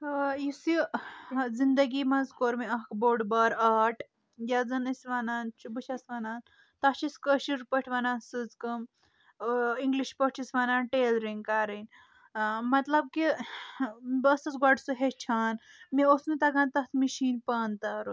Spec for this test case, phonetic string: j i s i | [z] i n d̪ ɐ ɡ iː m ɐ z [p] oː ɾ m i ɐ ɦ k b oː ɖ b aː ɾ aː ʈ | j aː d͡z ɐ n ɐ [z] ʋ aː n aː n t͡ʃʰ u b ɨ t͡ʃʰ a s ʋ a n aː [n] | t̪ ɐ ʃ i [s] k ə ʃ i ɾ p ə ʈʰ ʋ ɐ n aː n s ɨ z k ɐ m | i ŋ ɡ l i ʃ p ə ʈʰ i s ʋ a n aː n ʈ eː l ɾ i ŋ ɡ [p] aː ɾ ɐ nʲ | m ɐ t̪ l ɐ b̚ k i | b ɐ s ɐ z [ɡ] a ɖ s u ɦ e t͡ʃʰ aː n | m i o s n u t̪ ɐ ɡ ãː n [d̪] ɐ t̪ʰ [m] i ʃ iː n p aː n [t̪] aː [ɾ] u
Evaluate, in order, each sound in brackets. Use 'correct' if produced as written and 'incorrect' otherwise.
correct, incorrect: k, incorrect: s, correct, correct, incorrect: k, correct, incorrect: t̪, correct, correct, correct

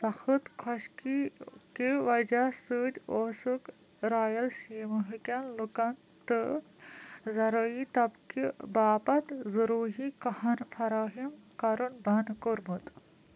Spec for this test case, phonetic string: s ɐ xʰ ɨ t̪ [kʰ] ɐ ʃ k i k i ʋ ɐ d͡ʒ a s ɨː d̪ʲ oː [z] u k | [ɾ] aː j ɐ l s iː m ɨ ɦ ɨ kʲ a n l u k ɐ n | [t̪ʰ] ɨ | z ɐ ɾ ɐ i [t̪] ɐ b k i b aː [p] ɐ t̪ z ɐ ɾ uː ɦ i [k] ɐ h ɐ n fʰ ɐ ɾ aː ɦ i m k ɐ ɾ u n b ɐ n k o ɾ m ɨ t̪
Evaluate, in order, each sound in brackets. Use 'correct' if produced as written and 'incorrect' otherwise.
correct, incorrect: s, correct, incorrect: t̪, correct, correct, correct

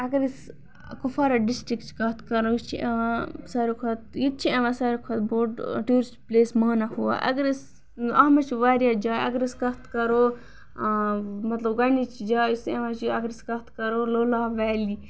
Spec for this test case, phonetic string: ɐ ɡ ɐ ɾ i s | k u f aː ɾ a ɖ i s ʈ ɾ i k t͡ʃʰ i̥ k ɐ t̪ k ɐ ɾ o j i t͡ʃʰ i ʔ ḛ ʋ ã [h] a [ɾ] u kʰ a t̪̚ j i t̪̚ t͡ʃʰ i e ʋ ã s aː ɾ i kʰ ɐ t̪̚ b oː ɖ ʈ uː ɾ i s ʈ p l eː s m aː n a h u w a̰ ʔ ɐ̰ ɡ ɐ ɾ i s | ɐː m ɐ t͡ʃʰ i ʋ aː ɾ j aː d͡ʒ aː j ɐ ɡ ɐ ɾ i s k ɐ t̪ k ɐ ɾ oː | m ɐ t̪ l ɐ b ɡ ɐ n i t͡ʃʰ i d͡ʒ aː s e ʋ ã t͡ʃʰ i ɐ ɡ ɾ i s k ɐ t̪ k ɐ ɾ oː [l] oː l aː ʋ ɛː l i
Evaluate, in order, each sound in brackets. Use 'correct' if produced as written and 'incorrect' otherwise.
incorrect: s, correct, correct

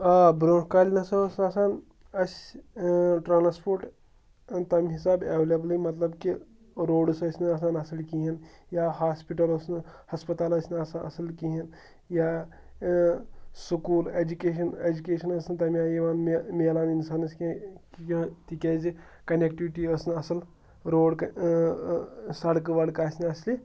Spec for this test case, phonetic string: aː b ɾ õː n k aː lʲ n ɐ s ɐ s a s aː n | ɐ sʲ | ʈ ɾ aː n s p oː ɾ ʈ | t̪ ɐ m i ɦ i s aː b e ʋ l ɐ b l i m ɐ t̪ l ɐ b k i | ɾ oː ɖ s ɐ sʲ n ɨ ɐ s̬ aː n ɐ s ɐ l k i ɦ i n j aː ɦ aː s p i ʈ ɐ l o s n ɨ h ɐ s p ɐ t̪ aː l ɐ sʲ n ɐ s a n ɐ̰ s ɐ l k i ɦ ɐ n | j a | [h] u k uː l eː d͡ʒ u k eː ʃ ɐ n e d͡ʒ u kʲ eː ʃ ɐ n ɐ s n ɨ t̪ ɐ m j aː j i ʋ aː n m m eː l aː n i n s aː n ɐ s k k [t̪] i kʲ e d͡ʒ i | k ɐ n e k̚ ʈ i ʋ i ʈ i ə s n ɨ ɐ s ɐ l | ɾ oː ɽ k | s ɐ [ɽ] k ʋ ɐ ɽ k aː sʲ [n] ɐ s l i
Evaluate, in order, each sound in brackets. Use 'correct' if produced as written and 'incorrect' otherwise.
incorrect: s, correct, correct, correct

